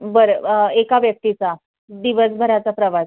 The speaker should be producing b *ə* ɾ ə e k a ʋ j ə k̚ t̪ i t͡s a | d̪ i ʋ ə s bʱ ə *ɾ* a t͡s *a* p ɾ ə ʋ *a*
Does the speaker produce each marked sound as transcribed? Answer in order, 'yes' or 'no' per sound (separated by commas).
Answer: yes, yes, yes, yes